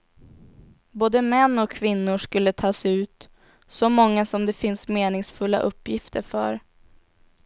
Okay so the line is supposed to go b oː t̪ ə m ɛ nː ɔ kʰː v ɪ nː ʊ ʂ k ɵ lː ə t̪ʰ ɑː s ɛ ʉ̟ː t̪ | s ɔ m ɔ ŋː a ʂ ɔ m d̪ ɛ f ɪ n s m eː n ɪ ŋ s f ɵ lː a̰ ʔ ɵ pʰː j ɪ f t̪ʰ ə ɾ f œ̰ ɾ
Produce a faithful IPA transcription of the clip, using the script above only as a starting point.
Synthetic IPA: b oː d̪ ə m ɛ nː ɔ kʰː v ɪ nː ʊ ʂ k ɵ lː ə t̪ʰ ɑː s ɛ ʉ̟ː t̪ | s ɔ m ɔ ŋː a s ɔ m d̪ ɛ f ɪ n s m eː n ɪ ŋ s f ɵ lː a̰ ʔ ɵ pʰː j ɪ f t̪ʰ ə ɾ f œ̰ ɾ